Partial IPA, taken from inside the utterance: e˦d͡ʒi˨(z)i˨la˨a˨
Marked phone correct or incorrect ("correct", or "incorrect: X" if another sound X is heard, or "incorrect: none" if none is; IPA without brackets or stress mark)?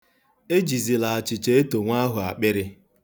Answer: correct